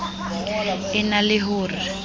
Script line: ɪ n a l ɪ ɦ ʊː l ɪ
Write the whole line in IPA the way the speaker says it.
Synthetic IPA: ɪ n a l ɪ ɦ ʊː r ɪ